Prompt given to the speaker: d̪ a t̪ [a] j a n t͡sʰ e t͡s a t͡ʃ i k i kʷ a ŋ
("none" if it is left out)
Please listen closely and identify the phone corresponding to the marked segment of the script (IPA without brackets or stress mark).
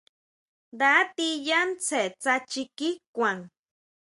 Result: i